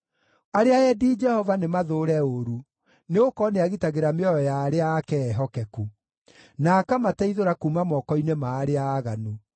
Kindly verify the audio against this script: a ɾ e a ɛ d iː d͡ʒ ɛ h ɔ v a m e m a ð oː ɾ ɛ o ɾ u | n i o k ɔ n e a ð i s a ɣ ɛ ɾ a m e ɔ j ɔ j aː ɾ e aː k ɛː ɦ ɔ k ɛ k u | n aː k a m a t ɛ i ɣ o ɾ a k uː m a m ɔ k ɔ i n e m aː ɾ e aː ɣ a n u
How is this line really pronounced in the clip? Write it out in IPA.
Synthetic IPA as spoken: a ɾ e a ɛ d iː d͡ʒ ɛ h ɔ v a n e m a ð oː ɾ ɛ o ɾ u | n e o k ɔ n e a ɣ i t a ɣ e ɾ a m e ɔ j ɔ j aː ɾ e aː k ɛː ɦ ɔ k ɛ k u | n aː k a m a t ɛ i ð o ɾ a k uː m a m ɔ k ɔ i n e m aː ɾ e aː ɣ a n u